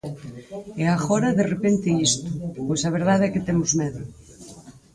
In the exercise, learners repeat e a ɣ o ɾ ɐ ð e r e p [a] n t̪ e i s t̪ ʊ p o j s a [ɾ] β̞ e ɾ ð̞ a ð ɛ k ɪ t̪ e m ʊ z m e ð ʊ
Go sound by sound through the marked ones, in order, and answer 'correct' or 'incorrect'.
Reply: incorrect: e, incorrect: none

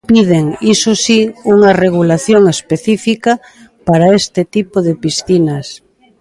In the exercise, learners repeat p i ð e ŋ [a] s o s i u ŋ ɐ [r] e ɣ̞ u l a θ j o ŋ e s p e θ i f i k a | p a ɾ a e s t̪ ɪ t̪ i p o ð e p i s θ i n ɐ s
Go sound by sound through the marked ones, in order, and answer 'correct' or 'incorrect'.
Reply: incorrect: i, correct

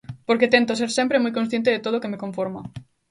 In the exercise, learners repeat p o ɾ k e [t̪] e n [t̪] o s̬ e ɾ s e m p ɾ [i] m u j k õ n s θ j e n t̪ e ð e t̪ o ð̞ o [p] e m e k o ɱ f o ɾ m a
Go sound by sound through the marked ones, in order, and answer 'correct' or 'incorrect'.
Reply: correct, correct, incorrect: e, incorrect: k

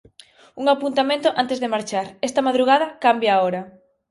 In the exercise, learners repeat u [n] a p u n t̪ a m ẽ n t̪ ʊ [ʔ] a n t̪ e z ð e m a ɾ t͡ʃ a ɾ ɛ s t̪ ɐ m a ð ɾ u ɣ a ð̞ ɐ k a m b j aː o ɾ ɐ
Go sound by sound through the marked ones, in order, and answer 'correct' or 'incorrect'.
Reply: incorrect: ŋ, correct

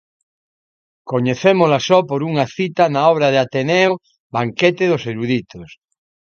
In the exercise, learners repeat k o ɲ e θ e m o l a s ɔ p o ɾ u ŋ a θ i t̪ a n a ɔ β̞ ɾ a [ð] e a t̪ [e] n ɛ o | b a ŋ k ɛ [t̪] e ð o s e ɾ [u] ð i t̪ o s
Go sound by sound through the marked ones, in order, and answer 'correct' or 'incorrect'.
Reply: correct, correct, correct, correct

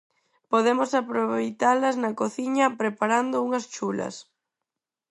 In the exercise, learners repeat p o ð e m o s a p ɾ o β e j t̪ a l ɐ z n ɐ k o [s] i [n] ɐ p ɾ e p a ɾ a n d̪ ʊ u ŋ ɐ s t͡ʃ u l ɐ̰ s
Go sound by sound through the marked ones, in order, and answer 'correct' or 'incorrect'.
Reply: incorrect: θ, incorrect: ɲ

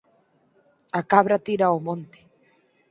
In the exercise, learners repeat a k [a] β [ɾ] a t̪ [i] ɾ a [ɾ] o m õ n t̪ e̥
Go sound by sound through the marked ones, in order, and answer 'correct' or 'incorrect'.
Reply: correct, correct, correct, incorrect: none

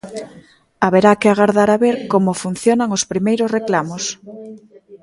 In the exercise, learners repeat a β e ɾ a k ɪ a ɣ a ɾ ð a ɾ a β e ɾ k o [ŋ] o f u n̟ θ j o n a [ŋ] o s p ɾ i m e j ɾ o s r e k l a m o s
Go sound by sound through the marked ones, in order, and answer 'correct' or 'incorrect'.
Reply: incorrect: m, correct

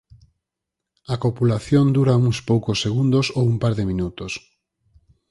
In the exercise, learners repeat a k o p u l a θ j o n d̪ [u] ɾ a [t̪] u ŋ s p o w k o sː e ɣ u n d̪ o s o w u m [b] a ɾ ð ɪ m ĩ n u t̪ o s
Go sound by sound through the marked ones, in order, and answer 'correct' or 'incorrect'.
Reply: correct, incorrect: none, incorrect: p

